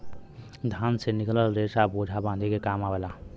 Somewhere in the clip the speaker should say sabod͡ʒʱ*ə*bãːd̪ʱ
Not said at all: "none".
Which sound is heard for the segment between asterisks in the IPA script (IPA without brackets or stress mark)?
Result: a